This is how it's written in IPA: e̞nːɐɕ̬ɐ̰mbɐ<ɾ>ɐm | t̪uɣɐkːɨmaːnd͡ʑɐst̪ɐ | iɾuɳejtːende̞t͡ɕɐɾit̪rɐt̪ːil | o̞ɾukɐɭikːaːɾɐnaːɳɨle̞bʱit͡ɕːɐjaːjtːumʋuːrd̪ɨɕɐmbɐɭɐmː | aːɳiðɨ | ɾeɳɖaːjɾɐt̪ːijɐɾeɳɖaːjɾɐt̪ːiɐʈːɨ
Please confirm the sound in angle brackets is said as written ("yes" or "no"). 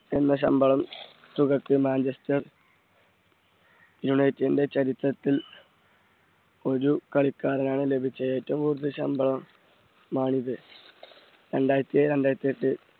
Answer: no